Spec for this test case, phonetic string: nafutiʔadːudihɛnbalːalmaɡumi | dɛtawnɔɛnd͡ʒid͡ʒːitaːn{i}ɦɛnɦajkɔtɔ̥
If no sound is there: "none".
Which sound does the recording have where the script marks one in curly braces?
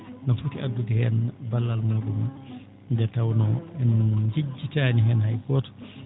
i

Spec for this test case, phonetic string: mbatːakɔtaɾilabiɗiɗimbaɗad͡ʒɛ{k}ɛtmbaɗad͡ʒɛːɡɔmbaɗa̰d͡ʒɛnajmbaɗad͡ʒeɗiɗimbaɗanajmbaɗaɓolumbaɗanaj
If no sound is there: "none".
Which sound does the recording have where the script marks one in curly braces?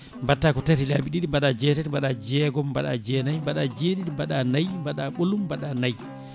t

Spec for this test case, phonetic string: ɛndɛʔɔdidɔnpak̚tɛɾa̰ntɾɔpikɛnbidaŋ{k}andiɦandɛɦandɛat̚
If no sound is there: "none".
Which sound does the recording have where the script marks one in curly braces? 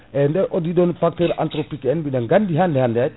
ɡ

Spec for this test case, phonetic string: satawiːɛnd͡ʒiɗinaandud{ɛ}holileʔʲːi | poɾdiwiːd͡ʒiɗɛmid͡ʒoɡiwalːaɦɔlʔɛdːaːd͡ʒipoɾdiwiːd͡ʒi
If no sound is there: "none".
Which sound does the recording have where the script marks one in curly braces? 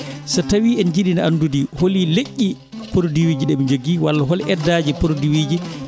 i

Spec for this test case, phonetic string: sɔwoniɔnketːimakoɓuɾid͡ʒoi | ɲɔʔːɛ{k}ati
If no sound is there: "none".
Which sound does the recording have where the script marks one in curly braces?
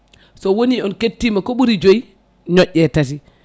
t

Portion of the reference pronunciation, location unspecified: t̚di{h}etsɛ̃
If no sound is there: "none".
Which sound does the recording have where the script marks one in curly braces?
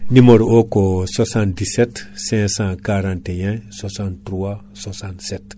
s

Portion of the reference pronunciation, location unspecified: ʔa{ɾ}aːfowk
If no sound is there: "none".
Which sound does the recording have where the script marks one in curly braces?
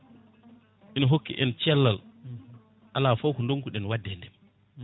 l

